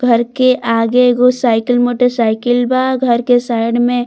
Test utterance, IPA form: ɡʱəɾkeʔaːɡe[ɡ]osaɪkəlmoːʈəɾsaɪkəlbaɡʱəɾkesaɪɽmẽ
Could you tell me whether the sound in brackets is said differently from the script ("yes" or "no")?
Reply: no